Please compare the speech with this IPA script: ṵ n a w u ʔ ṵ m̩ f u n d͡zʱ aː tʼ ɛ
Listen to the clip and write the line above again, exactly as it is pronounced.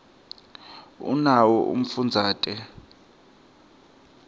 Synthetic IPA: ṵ n a w ɔ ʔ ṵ m̩ f u n d͡zʱ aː tʼ ɛ